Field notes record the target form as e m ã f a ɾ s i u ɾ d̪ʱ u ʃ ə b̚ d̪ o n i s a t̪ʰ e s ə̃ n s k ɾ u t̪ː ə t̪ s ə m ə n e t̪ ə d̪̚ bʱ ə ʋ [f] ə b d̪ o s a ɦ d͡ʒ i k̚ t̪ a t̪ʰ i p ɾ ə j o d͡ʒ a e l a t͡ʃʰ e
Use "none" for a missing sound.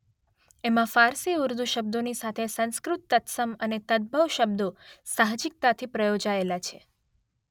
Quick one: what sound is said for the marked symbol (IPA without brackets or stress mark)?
ʃ